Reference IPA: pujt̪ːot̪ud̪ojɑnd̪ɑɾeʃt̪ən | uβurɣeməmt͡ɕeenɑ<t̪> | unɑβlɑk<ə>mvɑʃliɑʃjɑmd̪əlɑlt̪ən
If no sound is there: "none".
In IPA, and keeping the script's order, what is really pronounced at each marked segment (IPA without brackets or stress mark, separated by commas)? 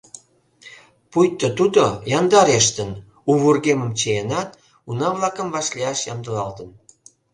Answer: t̪, ə